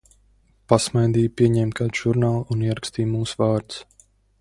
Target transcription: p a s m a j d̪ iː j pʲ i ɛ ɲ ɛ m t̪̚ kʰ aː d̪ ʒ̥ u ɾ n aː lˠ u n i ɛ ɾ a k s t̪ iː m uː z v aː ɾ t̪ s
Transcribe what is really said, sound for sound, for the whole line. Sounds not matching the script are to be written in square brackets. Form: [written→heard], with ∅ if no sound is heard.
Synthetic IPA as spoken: p a s m a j d̪ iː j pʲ i ɛ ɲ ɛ m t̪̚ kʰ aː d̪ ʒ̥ u ɾ n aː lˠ u n i ɛ ɾ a k s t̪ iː m uː [z→s] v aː ɾ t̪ s